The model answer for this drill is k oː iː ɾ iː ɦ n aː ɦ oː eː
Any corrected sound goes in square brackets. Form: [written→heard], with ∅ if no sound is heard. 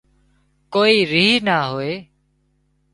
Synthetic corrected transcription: k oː iː ɾ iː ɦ n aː ɦ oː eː